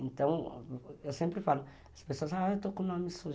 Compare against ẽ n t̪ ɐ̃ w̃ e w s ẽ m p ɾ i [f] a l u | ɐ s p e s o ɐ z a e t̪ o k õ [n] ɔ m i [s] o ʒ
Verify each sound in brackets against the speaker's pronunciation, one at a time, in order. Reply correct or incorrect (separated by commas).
correct, correct, correct